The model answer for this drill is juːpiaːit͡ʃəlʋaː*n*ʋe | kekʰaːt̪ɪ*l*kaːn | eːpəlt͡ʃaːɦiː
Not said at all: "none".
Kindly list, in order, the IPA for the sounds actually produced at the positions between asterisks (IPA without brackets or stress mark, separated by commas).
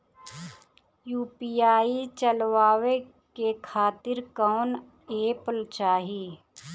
none, ɾ